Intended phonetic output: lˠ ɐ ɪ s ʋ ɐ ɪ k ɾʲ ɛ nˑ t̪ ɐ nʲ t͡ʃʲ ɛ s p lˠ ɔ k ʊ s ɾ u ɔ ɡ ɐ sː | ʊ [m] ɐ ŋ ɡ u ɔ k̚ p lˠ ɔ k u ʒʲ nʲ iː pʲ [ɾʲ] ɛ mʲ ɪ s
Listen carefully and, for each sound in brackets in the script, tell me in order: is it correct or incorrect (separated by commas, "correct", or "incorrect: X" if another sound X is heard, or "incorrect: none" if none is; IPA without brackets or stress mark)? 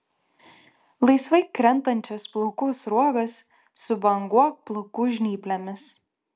incorrect: b, incorrect: lʲ